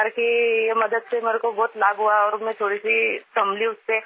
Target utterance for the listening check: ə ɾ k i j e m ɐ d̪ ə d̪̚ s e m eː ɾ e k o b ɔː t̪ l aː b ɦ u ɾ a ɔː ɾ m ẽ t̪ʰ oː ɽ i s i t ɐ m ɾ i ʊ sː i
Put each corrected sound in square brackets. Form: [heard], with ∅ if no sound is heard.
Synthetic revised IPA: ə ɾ k i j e m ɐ d̪ ə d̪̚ s e m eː ɾ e k o b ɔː t̪ l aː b ɦ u [∅] a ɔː ɾ m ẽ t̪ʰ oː ɽ i s i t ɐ m [l] i ʊ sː [e]